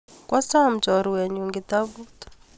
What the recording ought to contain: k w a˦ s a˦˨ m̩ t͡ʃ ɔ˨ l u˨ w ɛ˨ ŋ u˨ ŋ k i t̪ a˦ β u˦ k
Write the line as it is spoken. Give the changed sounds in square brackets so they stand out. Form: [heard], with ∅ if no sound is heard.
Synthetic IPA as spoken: k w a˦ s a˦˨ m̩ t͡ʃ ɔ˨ [ɾ] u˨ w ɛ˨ [ɲ] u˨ ŋ [ɡ] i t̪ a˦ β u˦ [t]